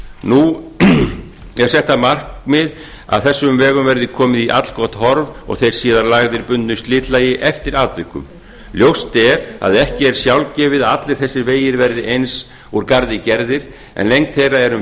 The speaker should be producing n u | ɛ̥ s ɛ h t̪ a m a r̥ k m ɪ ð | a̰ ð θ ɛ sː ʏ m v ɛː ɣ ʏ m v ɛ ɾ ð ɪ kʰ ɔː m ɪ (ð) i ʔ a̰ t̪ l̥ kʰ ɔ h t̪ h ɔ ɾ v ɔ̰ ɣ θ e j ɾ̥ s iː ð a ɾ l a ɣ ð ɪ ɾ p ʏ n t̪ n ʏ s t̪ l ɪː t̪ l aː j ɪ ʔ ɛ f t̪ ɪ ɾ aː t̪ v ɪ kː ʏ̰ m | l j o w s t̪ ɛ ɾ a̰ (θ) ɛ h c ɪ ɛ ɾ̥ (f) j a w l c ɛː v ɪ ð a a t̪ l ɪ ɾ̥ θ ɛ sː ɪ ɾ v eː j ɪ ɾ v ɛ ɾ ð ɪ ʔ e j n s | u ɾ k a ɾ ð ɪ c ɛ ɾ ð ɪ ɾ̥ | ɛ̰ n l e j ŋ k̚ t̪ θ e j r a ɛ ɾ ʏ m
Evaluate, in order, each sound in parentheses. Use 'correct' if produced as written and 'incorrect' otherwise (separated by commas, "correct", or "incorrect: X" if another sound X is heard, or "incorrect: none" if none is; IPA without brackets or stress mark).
correct, incorrect: ð, incorrect: s